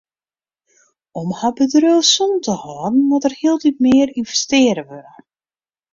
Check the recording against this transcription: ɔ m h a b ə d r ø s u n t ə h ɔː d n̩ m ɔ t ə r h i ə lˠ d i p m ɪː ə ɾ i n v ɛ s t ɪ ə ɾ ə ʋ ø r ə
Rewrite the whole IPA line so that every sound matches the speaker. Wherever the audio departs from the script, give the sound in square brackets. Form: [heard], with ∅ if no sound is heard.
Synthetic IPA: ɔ m h a b ə d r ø s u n t ə h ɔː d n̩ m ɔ t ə r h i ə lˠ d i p m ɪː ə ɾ i n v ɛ s t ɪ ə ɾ ə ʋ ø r ə